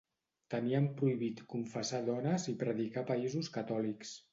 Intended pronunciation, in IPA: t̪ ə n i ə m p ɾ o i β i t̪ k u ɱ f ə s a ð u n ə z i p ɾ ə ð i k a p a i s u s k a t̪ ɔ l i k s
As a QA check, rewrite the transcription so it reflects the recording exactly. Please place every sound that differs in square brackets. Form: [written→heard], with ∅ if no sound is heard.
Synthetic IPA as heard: t̪ ə n i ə m p ɾ [o→u] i β i t̪ k u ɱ f ə s a ð [u→ɔ] n ə z i p ɾ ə ð i k a p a i [s→z] u s k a t̪ ɔ l i k s

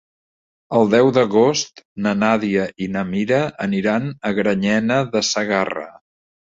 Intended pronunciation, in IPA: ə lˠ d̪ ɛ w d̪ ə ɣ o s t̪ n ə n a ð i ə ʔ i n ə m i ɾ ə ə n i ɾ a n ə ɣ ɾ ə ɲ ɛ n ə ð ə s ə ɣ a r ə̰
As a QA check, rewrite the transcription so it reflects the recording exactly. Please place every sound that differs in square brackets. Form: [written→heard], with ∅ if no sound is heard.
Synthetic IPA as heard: ə lˠ d̪ ɛ w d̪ ə ɣ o s t̪ n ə n a ð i ə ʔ i n ə m i ɾ ə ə n i ɾ a n ə ɣ ɾ ə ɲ ɛ n ə ð ə s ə ɣ a r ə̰

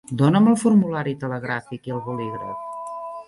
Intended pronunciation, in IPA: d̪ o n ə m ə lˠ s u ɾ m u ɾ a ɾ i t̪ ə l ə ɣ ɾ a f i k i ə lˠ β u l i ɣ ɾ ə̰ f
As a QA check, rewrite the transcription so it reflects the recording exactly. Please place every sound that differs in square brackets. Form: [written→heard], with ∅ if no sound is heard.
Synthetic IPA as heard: d̪ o n ə m ə lˠ [s→f] u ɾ m u [ɾ→l] a ɾ i t̪ ə l ə ɣ ɾ a f i k i ə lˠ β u l i ɣ ɾ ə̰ f

